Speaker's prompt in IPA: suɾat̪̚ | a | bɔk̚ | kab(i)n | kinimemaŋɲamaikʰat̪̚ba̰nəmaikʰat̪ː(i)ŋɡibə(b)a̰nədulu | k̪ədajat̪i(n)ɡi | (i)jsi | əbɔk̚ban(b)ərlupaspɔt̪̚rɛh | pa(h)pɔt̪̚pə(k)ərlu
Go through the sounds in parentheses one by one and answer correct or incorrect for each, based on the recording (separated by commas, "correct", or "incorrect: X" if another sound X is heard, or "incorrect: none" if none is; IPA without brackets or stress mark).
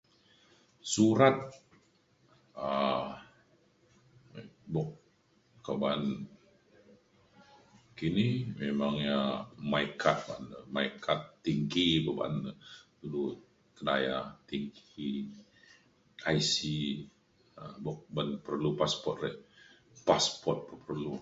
incorrect: a, correct, correct, incorrect: ŋ, incorrect: a, incorrect: p, incorrect: s, incorrect: p